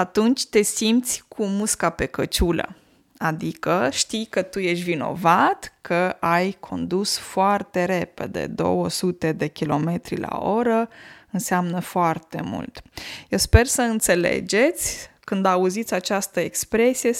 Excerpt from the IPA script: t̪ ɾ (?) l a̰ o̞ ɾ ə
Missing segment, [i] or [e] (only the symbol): i